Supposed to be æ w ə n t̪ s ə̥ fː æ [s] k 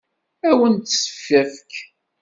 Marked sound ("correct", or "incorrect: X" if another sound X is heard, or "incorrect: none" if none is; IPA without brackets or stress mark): incorrect: f